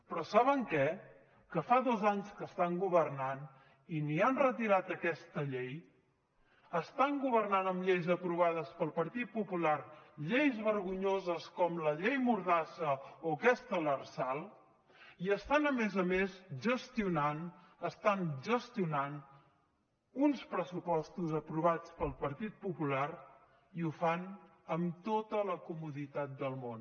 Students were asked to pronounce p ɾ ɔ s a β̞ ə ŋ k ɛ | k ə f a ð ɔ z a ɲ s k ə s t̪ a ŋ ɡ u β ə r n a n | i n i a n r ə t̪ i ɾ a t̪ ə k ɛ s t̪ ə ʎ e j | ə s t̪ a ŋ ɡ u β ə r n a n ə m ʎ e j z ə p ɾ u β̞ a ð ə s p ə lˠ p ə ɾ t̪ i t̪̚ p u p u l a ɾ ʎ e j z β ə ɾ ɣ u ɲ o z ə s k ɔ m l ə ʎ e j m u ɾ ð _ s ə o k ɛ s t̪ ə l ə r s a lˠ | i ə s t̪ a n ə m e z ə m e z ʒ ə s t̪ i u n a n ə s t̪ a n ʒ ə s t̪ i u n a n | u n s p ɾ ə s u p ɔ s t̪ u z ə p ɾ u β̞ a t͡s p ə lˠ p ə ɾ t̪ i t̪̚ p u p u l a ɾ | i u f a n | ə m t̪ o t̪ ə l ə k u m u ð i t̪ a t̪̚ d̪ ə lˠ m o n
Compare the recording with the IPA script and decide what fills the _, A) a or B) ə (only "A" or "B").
A